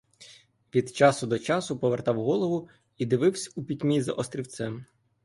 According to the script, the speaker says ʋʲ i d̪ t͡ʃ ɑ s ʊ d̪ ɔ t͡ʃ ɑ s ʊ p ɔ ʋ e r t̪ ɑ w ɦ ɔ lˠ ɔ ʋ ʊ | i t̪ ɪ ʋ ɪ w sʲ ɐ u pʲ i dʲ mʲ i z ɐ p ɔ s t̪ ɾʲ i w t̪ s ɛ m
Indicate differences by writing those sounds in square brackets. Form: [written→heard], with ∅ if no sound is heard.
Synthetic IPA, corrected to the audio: ʋʲ i d̪ t͡ʃ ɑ s ʊ d̪ ɔ t͡ʃ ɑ s ʊ p ɔ ʋ e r t̪ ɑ w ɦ ɔ lˠ ɔ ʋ ʊ | i [t̪→d̪] ɪ ʋ ɪ w sʲ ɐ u pʲ i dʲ mʲ i z ɐ [p→ʔ] ɔ s t̪ ɾʲ i w t̪ s ɛ m